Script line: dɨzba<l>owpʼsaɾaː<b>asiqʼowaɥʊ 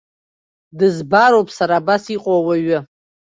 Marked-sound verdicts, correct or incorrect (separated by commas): incorrect, correct